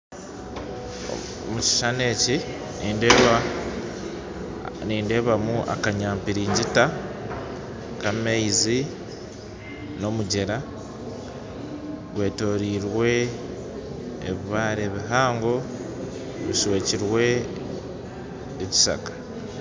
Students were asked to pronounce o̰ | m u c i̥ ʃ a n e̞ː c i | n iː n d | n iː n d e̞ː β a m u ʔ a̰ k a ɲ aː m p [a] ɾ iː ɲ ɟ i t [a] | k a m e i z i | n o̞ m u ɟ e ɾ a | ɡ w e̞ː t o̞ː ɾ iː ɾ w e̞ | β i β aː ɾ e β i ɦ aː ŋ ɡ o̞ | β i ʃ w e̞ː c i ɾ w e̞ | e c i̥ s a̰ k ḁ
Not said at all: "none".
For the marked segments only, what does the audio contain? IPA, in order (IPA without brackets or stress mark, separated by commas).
i, a